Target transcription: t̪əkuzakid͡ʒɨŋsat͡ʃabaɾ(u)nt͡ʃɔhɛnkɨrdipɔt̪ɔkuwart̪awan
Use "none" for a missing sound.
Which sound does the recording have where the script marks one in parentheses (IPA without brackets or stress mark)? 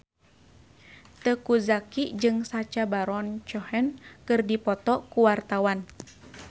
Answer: ɔ